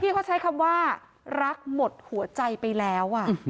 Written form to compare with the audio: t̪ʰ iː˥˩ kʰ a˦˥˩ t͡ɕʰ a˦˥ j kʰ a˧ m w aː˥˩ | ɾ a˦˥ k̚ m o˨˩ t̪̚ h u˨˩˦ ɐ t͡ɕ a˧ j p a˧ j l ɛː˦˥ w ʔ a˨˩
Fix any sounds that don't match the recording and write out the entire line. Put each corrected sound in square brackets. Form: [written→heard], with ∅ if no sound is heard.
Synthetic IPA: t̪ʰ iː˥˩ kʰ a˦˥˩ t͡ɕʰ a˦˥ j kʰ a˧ m w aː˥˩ | ɾ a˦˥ k̚ m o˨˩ t̪̚ h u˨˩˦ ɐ t͡ɕ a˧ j p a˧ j l ɛː˦˥ w ʔ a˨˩